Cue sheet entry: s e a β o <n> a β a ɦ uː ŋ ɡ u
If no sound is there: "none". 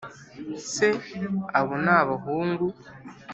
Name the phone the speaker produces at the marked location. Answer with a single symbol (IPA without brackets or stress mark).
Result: n